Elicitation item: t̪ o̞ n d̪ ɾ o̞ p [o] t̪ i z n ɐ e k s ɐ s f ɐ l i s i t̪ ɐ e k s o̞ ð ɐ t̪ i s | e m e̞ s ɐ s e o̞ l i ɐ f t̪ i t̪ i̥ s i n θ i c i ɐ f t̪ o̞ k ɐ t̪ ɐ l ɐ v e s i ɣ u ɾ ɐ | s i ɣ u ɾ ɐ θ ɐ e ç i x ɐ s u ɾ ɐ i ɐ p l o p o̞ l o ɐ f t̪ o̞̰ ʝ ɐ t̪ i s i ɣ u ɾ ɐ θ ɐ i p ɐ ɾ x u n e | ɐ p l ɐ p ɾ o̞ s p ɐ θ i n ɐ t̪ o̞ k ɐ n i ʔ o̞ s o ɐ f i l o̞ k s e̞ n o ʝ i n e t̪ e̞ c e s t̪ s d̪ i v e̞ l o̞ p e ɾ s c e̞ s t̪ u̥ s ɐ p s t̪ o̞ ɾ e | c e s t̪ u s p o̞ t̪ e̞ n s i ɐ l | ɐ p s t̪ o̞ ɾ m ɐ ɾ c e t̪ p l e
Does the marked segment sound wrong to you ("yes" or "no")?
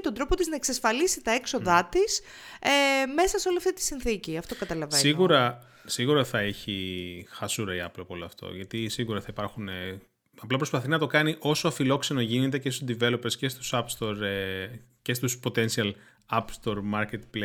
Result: no